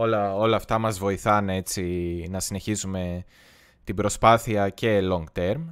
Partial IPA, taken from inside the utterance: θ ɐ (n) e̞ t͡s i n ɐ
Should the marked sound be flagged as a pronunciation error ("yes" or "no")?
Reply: no